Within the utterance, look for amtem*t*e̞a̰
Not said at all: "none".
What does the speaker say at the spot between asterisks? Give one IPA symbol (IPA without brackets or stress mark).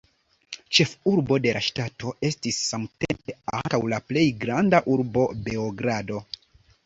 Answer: p